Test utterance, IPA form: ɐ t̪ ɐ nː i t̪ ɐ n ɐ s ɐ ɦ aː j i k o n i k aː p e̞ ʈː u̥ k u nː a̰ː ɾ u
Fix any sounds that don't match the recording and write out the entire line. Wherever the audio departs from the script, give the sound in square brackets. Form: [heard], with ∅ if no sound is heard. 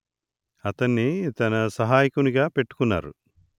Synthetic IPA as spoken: ɐ t̪ ɐ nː i t̪ ɐ n ɐ s ɐ ɦ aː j i k [u] n i [ɡ] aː p e̞ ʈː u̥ k u nː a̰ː ɾ u